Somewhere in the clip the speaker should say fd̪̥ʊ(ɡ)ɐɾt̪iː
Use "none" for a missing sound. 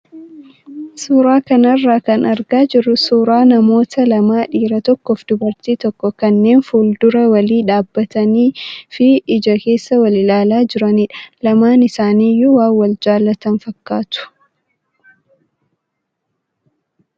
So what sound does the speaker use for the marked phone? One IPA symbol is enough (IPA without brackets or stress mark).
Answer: b